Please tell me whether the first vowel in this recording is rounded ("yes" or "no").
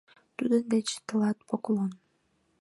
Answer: yes